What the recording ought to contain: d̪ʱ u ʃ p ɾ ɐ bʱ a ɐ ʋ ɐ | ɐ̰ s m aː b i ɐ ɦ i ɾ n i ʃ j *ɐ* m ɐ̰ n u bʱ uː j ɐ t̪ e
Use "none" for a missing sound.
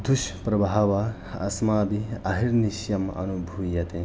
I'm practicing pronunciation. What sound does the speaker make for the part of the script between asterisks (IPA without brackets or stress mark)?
ɐ